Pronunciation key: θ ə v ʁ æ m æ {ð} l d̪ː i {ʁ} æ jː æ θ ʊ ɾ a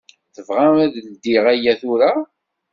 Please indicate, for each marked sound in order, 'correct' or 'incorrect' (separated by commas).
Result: correct, correct